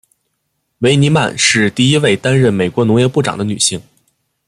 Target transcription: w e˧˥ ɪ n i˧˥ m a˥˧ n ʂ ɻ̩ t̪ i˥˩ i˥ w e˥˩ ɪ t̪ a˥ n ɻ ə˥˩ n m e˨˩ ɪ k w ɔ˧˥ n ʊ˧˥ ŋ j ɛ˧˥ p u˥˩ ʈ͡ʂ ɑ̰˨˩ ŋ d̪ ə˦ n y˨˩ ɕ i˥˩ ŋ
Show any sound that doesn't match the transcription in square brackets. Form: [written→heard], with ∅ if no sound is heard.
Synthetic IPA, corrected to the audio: w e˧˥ ɪ n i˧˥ m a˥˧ n ʂ ɻ̩ t̪ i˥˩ i˥ w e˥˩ ɪ t̪ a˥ n ɻ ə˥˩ n m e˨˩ ɪ k w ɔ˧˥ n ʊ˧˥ ŋ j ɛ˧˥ p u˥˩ ʈ͡ʂ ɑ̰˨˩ ŋ d̪ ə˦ n y˨˩ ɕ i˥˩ ŋ